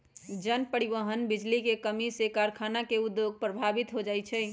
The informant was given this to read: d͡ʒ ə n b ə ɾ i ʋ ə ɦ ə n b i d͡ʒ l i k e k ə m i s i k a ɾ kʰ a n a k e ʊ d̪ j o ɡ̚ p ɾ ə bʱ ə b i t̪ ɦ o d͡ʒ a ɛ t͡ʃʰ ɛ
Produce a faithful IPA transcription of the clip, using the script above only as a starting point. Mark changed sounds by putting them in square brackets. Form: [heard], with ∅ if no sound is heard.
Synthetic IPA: d͡ʒ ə n [p] ə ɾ i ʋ ə ɦ ə n b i d͡ʒ l i k e k ə m i s [e] k a ɾ kʰ a n a k e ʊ d̪ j o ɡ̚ p ɾ ə bʱ [a] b i t̪ ɦ o d͡ʒ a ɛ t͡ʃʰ ɛ